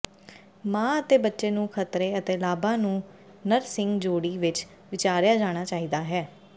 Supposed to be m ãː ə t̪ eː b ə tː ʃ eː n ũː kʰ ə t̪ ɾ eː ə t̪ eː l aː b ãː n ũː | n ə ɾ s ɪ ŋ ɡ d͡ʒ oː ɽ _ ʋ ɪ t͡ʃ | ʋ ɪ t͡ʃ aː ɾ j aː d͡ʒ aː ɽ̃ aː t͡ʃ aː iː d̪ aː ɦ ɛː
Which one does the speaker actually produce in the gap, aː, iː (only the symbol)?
iː